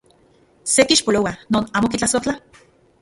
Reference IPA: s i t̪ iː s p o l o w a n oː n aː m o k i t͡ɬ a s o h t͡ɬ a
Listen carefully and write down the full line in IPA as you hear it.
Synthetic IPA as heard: s e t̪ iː ʃ p o l o w a n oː n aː m o k i t͡ɬ a s o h t͡ɬ a